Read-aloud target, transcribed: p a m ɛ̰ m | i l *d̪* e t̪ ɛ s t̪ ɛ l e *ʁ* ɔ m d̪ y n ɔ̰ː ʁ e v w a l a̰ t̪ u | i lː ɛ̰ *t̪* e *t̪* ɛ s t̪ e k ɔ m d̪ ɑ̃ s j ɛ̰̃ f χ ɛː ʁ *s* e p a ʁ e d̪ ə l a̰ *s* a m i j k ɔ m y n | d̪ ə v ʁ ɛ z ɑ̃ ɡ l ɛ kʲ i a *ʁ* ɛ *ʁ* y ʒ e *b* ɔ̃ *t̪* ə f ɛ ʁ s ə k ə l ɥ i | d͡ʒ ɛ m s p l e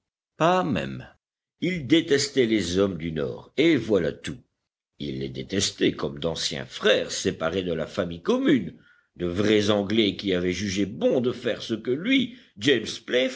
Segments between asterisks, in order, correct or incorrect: correct, incorrect: z, incorrect: d̪, correct, correct, incorrect: f, incorrect: v, incorrect: ʒ, correct, incorrect: d̪

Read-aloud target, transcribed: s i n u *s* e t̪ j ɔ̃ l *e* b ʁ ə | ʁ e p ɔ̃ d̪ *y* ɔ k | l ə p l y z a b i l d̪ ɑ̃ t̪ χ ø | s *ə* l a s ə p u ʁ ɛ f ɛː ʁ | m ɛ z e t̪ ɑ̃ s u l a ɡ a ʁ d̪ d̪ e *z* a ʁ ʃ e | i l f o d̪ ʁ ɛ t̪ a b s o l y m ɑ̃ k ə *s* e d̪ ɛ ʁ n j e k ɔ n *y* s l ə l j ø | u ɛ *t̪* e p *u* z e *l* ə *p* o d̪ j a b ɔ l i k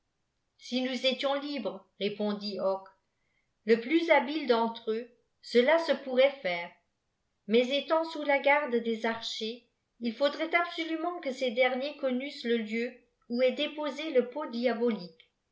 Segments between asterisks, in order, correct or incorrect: incorrect: z, incorrect: i, incorrect: i, correct, correct, correct, correct, incorrect: d̪, incorrect: o, correct, correct

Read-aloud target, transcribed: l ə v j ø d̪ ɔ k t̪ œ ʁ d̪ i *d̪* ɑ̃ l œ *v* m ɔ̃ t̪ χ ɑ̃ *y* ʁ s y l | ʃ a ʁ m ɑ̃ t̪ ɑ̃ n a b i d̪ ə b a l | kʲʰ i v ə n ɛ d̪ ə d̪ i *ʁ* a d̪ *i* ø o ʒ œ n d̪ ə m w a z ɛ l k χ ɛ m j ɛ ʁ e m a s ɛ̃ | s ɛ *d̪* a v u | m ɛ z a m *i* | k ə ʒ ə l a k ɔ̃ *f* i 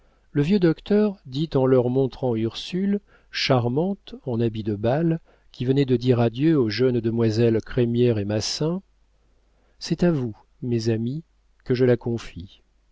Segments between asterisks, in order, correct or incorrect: incorrect: t̪, incorrect: ʁ, correct, correct, incorrect: j, incorrect: t̪, correct, correct

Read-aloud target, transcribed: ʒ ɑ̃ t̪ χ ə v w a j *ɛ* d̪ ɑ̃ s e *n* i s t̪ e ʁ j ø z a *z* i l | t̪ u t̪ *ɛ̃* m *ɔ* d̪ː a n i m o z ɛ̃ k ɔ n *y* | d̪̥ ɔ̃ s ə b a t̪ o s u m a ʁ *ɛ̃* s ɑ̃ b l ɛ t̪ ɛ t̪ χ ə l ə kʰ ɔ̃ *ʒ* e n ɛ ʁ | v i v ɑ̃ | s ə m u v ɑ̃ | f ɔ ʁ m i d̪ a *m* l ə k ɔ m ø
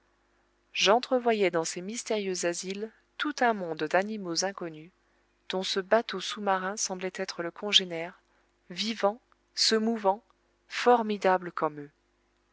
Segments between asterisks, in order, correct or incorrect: correct, incorrect: m, correct, correct, incorrect: ɔ̃, correct, correct, correct, incorrect: b

